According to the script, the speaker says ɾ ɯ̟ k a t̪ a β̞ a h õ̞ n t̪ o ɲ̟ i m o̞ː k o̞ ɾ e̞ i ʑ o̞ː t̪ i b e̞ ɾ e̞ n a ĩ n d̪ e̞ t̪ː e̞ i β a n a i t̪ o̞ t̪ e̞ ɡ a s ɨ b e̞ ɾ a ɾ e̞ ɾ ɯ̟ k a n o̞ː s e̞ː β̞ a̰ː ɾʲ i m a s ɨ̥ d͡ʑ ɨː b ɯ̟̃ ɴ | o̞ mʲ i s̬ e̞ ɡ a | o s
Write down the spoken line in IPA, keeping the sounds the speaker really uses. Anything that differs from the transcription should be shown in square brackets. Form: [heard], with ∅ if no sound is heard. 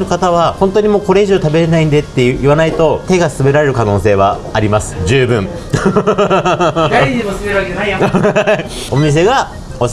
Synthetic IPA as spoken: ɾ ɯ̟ k a t̪ a β̞ a h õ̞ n t̪ o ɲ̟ i m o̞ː k o̞ ɾ e̞ i ʑ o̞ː t̪ [a] b e̞ ɾ e̞ n a ĩ n d̪ e̞ t̪ː e̞ i β a n a i t̪ o̞ t̪ e̞ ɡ a s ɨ b e̞ ɾ a ɾ e̞ ɾ ɯ̟ k a n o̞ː s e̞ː β̞ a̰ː ɾʲ i m a s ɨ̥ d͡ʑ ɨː b ɯ̟̃ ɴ | o̞ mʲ i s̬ e̞ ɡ a | o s